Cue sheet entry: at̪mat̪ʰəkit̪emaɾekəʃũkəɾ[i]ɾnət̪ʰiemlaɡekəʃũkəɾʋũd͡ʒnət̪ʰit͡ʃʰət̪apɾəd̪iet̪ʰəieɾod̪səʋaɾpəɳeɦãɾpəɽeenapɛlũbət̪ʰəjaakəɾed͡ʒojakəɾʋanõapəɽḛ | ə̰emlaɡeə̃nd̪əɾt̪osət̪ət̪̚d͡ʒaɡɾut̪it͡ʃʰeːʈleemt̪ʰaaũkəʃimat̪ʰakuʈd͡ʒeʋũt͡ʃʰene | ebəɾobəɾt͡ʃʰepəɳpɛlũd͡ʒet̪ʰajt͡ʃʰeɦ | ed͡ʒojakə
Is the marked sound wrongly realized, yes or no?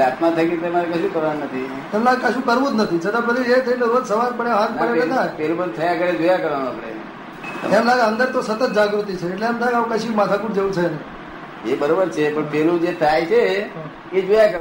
yes